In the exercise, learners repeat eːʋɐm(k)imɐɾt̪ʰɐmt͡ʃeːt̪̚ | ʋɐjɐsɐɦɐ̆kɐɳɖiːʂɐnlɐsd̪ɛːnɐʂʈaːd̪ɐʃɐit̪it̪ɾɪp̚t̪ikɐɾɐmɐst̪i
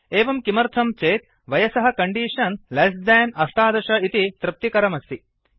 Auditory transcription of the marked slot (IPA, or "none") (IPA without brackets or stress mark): k